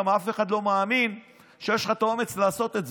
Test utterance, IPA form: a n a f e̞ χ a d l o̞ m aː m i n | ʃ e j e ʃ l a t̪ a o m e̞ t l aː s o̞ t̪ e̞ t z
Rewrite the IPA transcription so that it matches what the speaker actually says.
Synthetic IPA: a m a f e̞ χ a d l o̞ m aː m i n | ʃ e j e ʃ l a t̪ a o m e̞ t͡s l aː s o̞ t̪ e̞ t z